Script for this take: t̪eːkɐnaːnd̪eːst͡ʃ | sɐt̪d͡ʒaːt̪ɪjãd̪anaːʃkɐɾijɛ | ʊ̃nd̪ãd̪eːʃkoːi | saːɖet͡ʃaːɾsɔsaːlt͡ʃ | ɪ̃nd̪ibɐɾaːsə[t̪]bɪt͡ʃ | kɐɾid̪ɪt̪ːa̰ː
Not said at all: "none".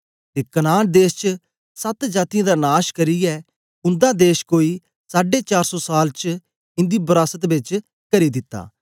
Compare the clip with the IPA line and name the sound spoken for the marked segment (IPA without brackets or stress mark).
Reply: t̪